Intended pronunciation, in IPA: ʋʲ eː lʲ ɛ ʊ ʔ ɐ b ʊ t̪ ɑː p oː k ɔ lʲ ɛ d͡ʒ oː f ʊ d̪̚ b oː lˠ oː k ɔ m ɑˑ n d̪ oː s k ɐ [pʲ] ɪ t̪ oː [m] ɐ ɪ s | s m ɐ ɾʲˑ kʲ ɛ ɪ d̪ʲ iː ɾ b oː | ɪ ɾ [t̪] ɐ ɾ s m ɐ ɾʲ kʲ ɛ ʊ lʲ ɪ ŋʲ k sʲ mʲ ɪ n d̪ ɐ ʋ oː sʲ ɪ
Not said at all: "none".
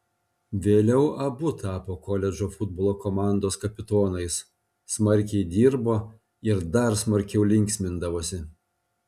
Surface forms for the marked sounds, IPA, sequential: pʲ, n, d̪

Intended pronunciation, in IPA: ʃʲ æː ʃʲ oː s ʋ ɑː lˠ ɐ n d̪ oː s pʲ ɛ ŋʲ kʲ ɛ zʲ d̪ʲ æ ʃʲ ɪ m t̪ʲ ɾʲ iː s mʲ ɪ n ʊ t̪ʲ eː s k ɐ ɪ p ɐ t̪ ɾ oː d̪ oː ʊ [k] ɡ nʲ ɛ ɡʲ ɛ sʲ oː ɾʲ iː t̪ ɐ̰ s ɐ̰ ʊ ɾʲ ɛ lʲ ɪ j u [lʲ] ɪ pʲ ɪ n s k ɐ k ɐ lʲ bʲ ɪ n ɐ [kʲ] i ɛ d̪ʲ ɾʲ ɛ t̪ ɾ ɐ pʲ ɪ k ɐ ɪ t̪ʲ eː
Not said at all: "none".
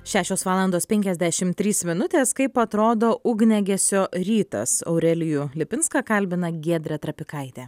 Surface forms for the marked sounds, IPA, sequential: none, lʲ, ɡʲ

